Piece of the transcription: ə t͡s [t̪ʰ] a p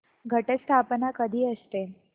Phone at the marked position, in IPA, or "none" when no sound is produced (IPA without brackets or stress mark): t̪ʰ